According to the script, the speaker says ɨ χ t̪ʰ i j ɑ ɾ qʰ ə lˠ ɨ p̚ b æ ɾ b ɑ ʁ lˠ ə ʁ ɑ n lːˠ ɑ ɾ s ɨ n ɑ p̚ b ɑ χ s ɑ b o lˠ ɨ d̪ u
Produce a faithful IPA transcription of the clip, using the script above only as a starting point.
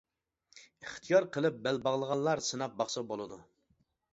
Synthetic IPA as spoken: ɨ χ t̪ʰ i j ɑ ɾ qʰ ə lˠ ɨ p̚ b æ l b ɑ ʁ lˠ ə ʁ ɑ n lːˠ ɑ ɾ s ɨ n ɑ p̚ b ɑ χ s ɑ b o lˠ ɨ d̪ u